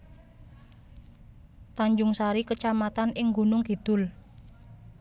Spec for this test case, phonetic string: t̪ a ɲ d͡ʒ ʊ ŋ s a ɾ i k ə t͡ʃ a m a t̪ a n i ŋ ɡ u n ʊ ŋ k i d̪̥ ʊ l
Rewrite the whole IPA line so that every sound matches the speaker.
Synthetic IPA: t̪ a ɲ d͡ʒ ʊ ŋ s a ɾ i k ə t͡ʃ a m a t̪ a n ɪ ŋ ɡ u n ʊ ŋ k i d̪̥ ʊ l